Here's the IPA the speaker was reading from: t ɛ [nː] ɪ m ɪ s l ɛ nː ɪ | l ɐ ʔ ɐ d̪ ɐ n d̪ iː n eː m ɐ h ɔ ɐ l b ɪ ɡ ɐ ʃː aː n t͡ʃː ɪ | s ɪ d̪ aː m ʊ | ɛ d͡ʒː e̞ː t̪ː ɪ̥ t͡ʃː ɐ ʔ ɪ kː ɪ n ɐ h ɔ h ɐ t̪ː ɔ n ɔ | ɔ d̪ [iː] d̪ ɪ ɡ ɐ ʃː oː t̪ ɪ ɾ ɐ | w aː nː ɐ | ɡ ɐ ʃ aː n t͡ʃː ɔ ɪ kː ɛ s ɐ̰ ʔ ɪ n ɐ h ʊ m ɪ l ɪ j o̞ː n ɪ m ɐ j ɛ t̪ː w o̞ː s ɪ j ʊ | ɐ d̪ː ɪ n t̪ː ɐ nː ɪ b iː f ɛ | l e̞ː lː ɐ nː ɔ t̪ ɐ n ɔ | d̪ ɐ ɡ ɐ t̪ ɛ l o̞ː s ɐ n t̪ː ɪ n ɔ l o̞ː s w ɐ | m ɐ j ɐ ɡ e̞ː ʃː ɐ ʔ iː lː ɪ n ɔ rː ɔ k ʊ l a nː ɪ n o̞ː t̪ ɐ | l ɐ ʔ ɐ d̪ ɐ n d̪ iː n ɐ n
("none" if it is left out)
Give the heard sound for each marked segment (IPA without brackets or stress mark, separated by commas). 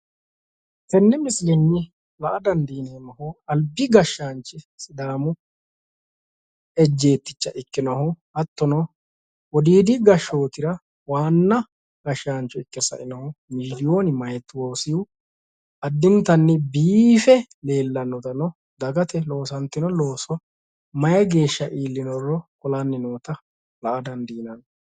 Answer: nː, iː